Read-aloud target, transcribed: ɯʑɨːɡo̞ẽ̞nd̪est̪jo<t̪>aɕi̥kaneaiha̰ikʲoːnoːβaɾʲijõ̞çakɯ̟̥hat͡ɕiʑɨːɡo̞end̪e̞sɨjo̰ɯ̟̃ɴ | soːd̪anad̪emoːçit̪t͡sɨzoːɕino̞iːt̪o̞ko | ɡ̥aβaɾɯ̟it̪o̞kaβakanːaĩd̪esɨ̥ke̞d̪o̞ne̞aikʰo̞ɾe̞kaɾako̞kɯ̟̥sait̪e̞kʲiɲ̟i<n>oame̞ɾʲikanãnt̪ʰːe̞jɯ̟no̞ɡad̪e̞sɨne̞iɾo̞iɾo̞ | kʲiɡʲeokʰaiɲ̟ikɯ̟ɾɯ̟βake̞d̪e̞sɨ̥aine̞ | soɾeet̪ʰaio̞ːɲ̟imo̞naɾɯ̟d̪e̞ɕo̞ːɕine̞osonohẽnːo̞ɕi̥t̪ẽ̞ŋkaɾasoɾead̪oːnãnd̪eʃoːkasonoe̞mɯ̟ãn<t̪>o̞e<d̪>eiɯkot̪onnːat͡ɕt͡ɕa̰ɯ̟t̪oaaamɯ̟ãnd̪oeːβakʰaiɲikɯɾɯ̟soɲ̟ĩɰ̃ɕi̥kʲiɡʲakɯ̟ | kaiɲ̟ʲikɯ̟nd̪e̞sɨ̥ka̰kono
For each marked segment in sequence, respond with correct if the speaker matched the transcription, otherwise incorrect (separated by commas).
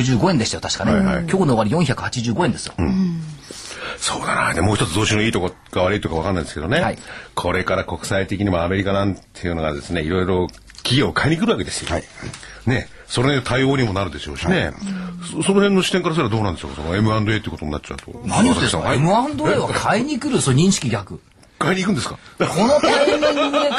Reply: correct, incorrect, incorrect, incorrect